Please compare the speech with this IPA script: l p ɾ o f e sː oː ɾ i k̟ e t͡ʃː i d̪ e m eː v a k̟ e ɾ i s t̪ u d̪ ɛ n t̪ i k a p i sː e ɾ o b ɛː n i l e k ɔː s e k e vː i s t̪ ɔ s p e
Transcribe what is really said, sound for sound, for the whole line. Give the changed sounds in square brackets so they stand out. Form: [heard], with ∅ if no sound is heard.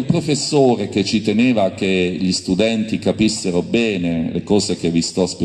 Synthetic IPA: l p ɾ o f e sː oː ɾ [e] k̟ e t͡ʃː i [t̪] e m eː v a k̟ e [ʎ] i s t̪ u d̪ ɛ n t̪ i k a p i sː e ɾ o b ɛː n [e] l e k ɔː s e k e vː i s t̪ ɔ s p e